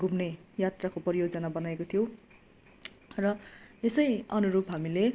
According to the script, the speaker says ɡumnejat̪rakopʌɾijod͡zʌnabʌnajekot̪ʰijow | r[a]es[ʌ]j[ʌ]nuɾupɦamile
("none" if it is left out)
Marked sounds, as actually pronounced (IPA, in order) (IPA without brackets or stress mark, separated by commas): ʌ, ʌ, ʌ